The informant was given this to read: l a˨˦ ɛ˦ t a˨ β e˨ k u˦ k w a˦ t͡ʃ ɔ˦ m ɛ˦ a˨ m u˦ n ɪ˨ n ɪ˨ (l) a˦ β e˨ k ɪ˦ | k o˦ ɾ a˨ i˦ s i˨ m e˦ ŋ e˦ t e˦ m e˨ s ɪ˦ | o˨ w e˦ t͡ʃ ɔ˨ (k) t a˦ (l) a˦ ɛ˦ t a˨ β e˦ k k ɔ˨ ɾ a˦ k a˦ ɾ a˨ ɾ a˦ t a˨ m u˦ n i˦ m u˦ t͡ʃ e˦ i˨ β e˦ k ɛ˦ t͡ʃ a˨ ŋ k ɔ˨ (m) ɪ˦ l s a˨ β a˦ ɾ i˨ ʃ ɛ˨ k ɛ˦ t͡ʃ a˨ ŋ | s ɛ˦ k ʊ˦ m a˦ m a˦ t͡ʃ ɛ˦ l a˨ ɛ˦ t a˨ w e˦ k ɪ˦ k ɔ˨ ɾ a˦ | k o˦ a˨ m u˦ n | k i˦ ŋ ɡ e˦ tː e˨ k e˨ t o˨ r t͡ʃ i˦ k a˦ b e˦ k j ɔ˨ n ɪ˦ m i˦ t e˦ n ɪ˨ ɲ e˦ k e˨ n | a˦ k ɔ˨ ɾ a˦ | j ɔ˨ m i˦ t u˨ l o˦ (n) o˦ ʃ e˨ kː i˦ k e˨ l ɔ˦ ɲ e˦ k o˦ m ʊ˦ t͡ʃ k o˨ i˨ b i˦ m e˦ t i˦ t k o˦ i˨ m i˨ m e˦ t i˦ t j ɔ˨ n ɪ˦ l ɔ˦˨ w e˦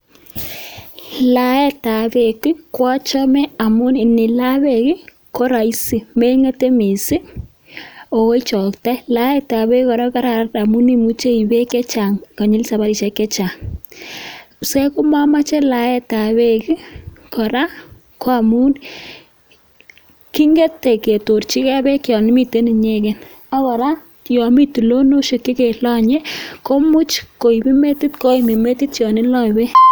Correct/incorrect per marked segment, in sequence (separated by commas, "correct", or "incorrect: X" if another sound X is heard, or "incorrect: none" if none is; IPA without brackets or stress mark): correct, correct, correct, incorrect: ɲ, correct